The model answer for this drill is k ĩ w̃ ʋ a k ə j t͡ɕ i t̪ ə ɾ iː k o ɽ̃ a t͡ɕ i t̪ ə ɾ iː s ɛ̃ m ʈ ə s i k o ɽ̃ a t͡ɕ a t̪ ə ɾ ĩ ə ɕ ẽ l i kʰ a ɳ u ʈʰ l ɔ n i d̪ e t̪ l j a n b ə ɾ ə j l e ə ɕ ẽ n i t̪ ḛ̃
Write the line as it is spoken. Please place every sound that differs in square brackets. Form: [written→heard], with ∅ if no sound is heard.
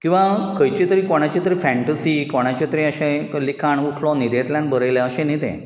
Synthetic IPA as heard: k ĩ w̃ ʋ a k ə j t͡ɕ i t̪ ə ɾ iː k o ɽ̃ a t͡ɕ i t̪ ə ɾ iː [s→f] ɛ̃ [m→ɳ] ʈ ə s i k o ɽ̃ a t͡ɕ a t̪ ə ɾ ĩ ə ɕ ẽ l i kʰ a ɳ u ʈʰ l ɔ n i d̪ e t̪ l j a n b ə ɾ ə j l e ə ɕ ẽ n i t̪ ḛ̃

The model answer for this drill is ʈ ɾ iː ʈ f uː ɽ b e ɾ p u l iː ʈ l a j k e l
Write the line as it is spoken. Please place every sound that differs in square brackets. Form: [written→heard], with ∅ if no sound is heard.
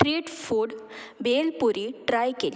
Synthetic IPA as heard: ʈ ɾ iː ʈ f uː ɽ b e [ɾ→l] p u [l→ɾ] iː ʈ [l→ɾ] a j k e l

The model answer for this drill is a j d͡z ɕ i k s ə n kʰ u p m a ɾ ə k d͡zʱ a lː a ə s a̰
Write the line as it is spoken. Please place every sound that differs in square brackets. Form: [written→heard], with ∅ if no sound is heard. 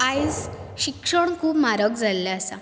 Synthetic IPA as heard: a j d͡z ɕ i k [s→ʂ] ə [n→ɳ] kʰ [u→uː] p m a ɾ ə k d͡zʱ a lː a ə s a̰

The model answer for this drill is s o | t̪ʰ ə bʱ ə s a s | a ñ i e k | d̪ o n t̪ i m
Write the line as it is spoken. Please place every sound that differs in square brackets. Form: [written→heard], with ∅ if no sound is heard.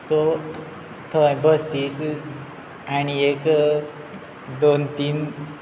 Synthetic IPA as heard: s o | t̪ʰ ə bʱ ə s [a→i] s | a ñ i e k | d̪ o n t̪ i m

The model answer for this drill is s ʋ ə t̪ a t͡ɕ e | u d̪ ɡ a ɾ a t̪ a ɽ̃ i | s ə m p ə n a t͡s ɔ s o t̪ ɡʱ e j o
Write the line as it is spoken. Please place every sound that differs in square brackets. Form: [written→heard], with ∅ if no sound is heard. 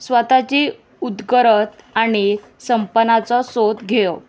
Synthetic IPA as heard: s ʋ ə t̪ a t͡ɕ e | u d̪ ɡ [a→ə] ɾ [a→ə] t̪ a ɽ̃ i | s ə m p ə n a t͡s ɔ s o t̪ ɡʱ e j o

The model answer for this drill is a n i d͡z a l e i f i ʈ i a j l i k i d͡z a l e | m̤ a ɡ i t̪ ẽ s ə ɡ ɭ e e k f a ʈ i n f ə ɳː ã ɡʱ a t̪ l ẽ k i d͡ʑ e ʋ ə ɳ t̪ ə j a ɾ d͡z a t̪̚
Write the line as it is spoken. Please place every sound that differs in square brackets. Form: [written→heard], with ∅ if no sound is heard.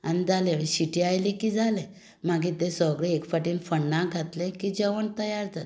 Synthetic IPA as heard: a n i d͡z a l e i [f→ɕ] i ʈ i a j l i k i d͡z a l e | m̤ a ɡ i t̪ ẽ s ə ɡ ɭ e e k f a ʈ i n f ə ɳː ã ɡʱ a t̪ l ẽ k i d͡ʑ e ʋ ə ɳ t̪ ə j a ɾ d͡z a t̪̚

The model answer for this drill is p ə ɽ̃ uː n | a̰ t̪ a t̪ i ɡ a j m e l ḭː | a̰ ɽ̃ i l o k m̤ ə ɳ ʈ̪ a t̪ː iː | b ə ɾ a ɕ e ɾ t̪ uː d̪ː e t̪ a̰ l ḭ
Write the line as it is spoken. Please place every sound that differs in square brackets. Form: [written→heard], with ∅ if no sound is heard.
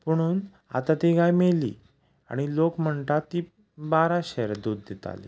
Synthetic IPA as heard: p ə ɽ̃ uː n | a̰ t̪ a t̪ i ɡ a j m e l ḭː | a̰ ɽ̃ i l o k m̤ ə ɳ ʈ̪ a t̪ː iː | b [ə→a] ɾ a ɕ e ɾ [t̪→d̪] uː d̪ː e t̪ a̰ l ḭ

